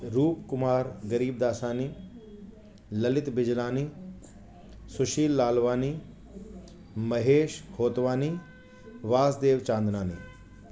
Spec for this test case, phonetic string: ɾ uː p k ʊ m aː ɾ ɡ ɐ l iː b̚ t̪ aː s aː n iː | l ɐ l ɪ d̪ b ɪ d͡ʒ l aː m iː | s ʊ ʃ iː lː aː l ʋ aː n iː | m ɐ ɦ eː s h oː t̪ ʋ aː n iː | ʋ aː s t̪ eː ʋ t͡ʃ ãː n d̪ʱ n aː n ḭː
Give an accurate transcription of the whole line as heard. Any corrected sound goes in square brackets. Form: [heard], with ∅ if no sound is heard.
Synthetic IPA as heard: ɾ uː p k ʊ m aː ɾ ɡ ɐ [ɾ] iː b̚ [d̪] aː s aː n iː | l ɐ l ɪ [t̪] b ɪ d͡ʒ l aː [n] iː | s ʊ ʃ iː lː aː l ʋ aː n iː | m ɐ ɦ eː [ʃ] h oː t̪ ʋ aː n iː | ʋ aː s [d̪] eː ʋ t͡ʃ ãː n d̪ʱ n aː n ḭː